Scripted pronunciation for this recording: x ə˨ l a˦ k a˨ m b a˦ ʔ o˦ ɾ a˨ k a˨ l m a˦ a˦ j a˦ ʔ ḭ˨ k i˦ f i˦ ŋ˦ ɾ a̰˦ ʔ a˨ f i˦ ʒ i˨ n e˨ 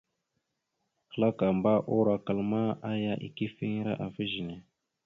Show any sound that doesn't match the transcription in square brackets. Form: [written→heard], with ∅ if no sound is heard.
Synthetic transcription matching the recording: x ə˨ l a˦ k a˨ m b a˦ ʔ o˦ ɾ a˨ k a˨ l m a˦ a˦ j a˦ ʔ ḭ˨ k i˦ f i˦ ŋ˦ ɾ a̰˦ ʔ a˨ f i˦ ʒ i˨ n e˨